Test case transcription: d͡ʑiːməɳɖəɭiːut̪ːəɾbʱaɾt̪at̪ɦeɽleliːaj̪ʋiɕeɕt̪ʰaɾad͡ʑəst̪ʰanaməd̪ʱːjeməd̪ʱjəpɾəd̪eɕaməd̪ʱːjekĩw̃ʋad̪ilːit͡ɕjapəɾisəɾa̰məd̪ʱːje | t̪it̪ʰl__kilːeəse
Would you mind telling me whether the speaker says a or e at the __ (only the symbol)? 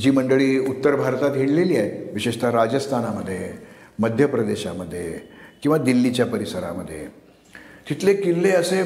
e